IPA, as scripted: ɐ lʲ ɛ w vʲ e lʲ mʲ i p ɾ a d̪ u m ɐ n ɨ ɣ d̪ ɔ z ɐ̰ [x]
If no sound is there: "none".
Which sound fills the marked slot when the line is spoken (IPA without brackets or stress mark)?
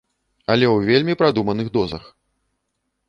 x